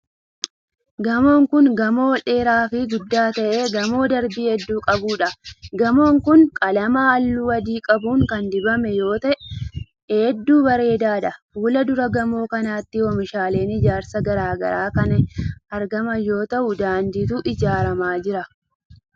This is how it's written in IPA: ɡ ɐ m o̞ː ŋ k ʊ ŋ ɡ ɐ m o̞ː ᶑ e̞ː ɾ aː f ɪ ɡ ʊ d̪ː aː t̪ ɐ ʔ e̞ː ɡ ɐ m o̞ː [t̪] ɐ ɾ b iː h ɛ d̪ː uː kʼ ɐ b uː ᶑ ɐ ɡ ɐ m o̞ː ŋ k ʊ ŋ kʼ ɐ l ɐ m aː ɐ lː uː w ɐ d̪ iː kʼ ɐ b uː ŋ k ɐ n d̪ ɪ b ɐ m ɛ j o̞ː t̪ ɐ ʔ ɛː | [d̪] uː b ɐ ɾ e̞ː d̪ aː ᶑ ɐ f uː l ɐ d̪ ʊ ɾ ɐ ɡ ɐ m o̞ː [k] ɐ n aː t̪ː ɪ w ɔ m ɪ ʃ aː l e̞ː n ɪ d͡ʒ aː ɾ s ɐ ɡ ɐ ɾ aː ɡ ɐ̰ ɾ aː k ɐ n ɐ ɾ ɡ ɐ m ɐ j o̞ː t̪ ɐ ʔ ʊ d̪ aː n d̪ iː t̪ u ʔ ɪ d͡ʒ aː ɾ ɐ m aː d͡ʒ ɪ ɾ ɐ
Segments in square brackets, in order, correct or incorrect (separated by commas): incorrect, incorrect, correct